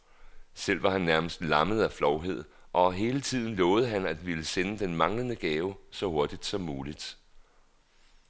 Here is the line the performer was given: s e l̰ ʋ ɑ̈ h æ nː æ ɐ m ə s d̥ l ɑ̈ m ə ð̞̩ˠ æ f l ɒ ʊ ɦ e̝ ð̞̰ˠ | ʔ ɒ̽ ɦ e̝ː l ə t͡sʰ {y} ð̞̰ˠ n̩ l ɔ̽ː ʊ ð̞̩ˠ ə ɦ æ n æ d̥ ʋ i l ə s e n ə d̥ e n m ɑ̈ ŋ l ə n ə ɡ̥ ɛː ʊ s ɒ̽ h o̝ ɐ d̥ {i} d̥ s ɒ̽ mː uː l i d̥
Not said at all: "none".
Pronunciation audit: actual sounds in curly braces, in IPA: i, i

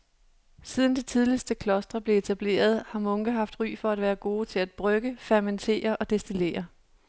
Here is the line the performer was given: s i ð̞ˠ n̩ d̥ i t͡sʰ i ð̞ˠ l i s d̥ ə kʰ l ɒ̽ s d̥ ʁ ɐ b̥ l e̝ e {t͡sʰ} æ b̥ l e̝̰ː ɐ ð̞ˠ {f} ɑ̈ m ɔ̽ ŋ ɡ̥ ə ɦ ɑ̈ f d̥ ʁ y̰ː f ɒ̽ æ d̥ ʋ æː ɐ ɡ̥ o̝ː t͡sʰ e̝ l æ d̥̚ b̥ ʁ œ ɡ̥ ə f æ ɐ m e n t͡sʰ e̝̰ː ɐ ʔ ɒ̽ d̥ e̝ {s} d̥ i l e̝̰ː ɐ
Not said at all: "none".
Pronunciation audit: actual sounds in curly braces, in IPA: t͡sʰ, h, s

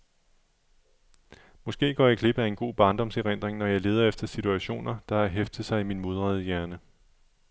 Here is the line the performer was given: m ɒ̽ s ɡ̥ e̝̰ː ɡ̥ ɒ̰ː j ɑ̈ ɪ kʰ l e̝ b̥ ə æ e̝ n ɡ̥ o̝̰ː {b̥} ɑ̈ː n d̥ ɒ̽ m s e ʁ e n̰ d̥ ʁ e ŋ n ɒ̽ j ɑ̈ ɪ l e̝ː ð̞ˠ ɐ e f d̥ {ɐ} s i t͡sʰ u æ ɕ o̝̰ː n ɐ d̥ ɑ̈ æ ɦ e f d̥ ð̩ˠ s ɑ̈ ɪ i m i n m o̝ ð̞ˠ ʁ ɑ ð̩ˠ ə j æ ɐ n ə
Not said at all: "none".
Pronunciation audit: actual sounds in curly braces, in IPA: b̥, ɐ

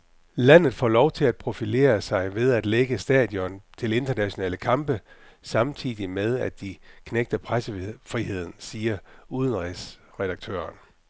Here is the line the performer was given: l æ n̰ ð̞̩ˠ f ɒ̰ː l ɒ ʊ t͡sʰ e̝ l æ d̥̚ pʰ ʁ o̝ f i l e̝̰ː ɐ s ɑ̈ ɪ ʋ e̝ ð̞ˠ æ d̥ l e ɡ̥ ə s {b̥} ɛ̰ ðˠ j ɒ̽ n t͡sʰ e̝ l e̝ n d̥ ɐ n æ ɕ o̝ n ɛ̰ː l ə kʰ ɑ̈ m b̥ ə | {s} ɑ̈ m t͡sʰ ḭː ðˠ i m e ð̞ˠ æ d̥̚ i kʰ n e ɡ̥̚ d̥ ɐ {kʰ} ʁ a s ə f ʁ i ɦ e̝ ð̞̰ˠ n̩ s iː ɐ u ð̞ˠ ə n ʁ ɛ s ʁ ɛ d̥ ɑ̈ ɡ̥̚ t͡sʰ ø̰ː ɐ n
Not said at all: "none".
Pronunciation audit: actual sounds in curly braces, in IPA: d̥, s, pʰ

